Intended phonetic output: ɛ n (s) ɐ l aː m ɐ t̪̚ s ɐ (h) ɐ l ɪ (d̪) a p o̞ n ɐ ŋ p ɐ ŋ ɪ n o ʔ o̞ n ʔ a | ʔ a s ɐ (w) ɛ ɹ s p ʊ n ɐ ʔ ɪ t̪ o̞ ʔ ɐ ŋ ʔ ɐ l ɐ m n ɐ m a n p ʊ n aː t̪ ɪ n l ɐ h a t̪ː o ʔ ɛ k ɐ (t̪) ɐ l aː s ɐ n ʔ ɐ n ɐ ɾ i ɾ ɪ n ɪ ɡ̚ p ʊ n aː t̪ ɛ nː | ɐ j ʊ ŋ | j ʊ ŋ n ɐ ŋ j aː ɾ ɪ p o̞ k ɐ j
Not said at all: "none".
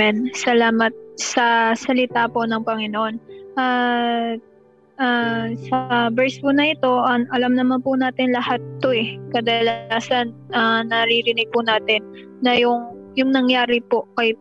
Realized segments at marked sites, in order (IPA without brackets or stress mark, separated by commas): s, s, t̪, b, d̪